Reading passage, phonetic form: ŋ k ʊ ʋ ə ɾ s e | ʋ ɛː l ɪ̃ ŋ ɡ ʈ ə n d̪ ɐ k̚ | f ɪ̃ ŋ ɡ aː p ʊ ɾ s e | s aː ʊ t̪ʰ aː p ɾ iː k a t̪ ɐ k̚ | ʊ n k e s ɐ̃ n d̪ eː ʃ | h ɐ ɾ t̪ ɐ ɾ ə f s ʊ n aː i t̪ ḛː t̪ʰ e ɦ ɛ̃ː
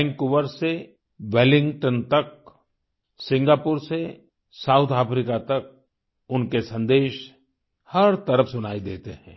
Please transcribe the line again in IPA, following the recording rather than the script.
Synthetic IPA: ŋ k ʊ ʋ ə ɾ s e | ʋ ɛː l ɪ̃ ŋ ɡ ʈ ə n t̪ ɐ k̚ | s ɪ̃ ŋ ɡ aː p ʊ ɾ s e | s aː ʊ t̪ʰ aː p ɾ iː k a t̪ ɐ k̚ | ʊ n k e s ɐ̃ n d̪ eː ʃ | h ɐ ɾ t̪ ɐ ɾ ə f s ʊ n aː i d̪ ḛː t̪ e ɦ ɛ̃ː